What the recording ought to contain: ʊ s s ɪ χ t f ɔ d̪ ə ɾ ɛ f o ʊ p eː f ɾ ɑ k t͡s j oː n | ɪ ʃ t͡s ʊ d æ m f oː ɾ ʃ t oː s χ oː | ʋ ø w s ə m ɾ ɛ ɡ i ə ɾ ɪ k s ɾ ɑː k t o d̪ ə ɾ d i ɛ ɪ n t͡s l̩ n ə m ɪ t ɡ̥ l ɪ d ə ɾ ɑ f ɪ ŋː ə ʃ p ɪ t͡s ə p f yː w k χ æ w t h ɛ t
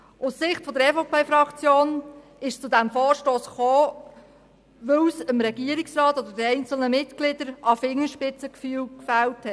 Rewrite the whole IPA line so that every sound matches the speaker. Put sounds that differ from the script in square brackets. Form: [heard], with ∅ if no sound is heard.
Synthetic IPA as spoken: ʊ s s ɪ χ t f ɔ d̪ ə ɾ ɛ f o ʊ p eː f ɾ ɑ k t͡s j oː n | ɪ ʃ t͡s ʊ d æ m f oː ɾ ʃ t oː s χ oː | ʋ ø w s ə m ɾ ɛ ɡ i ə ɾ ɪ k s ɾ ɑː [∅] t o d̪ ə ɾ d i ɛ ɪ n t͡s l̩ n ə m ɪ t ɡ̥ l ɪ d ə ɾ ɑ f ɪ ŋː ə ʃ p ɪ t͡s ə [k] f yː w k [f] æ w t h ɛ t